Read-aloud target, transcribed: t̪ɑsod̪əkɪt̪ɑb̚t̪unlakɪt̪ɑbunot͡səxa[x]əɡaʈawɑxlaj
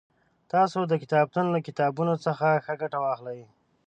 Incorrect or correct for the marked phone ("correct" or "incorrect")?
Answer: correct